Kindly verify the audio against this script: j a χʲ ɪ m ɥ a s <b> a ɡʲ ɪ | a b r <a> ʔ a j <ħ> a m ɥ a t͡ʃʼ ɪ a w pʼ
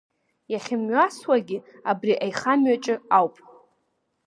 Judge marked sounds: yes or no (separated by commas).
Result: no, no, no